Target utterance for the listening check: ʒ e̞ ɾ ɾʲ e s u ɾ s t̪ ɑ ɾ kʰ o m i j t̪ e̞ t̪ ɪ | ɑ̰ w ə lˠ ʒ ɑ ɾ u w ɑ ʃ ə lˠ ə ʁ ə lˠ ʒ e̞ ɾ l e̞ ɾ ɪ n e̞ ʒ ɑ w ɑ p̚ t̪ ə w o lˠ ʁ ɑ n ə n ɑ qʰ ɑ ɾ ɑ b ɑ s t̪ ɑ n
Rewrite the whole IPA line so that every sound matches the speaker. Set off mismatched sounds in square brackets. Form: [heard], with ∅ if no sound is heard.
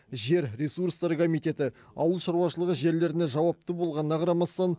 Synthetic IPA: ʒ e̞ ɾ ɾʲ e s u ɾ s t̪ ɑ ɾ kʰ o m i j t̪ e̞ t̪ ɪ | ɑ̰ w ə lˠ [ʃ] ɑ ɾ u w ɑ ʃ ə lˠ ə ʁ ə [∅] ʒ e̞ ɾ l e̞ ɾ ɪ n e̞ ʒ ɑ w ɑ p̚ t̪ ə [b] o lˠ ʁ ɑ n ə n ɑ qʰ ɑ ɾ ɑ [m] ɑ s t̪ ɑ n